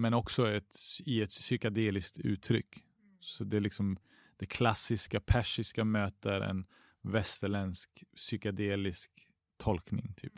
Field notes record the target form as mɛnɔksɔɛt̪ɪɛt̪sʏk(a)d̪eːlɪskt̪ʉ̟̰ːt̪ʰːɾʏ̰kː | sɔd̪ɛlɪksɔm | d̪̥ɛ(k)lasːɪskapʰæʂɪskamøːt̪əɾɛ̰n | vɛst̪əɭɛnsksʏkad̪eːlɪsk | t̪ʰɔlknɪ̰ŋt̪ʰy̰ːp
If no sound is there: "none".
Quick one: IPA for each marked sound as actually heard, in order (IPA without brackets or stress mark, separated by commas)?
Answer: a, kʰ